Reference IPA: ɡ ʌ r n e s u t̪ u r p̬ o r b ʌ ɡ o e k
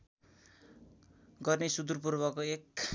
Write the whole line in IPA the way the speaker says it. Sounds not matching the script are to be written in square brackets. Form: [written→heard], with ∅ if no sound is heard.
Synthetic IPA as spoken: ɡ ʌ r n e s u [t̪→d̪] u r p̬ [o→u] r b ʌ [ɡ→k] o e k